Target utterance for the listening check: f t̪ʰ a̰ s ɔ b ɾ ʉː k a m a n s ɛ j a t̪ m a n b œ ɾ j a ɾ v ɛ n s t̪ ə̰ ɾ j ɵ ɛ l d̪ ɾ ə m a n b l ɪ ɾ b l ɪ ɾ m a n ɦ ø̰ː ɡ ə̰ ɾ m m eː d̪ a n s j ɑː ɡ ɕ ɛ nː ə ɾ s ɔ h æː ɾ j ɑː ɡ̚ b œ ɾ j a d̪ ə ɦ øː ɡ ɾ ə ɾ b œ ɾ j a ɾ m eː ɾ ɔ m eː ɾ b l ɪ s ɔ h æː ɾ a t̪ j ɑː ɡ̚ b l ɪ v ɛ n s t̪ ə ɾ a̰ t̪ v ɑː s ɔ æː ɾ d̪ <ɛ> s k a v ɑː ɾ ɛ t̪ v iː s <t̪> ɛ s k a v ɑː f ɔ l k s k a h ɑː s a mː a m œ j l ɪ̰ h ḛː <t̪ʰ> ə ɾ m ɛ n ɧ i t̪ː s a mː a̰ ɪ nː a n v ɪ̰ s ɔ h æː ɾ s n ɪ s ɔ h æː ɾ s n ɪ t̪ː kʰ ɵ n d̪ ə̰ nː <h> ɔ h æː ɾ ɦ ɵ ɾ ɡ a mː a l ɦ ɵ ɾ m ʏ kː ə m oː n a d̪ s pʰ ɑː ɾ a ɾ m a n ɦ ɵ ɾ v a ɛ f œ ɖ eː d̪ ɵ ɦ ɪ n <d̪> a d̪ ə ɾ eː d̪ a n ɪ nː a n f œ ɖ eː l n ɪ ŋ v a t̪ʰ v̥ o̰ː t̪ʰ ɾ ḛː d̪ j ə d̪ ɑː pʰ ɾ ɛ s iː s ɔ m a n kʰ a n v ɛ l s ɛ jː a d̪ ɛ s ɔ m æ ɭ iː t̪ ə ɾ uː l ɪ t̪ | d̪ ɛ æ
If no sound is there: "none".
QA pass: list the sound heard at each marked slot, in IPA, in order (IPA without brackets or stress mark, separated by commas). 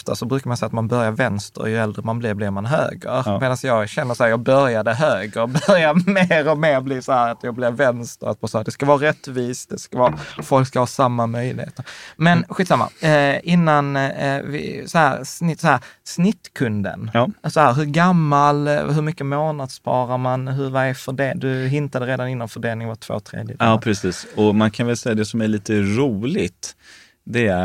ɛ, d̪, t̪, s, t̪